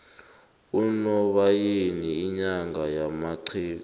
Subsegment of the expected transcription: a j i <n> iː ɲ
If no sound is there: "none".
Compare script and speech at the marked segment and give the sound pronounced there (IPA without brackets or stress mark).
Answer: n